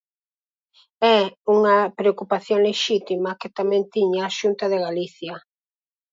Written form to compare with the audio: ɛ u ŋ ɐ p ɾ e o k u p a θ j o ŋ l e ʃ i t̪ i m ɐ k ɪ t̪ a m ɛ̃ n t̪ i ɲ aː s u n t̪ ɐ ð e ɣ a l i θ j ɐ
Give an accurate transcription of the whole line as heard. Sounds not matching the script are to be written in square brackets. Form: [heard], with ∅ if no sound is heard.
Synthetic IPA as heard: ɛ u ŋ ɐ p ɾ e o k u p a θ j o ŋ l e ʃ i t̪ i m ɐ k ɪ t̪ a m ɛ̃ n t̪ i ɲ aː [ʃ] u n t̪ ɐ ð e ɣ a l i θ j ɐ